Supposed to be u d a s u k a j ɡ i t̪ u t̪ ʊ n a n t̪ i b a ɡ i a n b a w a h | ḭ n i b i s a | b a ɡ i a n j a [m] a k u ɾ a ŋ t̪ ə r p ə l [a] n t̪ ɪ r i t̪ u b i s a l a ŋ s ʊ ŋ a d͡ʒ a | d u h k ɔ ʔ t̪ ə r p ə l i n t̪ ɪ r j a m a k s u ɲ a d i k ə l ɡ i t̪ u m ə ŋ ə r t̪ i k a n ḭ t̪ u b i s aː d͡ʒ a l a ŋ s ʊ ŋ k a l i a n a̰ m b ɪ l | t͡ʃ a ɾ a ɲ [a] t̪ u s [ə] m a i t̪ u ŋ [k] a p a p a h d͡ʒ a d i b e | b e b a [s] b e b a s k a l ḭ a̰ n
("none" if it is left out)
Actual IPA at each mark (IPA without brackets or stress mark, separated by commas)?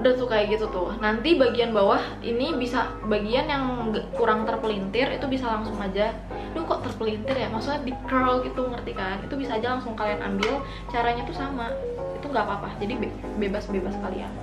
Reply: ŋ, i, a, a, ɡ, s